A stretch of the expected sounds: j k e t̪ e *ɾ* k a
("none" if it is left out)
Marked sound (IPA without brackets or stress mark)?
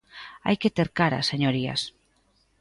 ɾ